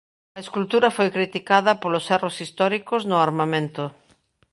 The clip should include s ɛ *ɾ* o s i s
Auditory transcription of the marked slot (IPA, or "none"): r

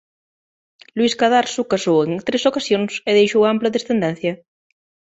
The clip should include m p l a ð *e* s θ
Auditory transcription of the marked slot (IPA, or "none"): e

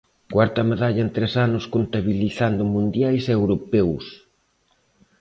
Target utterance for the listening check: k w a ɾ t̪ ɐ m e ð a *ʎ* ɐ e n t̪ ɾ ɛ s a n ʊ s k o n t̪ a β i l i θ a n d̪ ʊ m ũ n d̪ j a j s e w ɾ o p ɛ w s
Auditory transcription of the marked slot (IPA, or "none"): ʎ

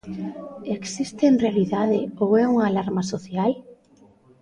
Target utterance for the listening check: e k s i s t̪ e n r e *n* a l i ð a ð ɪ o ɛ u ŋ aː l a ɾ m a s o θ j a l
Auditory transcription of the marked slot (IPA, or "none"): none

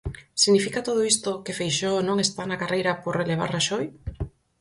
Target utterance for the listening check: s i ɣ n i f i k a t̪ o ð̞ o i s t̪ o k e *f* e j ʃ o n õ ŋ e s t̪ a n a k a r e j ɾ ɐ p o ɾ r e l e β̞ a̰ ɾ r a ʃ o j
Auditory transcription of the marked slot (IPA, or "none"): f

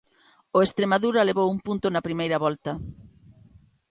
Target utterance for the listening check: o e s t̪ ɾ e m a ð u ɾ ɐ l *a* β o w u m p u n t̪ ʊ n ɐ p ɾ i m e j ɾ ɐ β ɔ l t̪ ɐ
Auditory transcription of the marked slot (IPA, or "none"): e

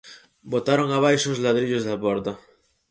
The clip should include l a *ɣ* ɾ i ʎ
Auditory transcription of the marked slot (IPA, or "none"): ð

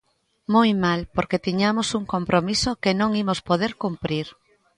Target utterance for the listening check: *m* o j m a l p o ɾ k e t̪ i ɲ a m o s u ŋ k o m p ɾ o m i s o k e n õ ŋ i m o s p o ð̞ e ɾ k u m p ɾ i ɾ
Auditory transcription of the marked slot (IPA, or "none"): m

